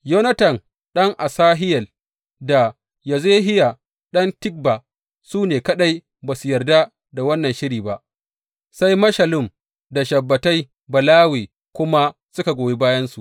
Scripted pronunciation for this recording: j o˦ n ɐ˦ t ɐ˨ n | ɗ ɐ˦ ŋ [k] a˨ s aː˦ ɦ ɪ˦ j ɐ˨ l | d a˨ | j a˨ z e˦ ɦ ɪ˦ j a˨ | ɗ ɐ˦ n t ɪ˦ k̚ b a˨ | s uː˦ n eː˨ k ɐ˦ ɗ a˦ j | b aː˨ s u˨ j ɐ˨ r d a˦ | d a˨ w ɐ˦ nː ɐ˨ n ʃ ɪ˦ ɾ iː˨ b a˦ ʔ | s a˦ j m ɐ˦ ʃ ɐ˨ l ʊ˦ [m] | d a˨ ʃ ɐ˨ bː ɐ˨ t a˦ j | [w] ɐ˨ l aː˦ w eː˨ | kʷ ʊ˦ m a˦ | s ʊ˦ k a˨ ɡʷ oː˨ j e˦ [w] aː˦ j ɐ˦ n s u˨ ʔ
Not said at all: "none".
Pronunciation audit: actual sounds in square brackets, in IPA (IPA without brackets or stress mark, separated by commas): ʔ, m, b, b